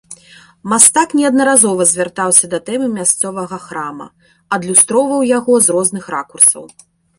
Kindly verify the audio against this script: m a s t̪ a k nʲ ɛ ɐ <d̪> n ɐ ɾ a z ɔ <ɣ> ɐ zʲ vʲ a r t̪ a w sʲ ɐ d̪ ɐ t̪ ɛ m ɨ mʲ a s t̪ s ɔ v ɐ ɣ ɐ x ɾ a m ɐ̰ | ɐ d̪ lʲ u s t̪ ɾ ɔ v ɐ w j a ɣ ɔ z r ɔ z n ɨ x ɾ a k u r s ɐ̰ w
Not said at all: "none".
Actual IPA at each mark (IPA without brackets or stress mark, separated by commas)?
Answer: d̪, v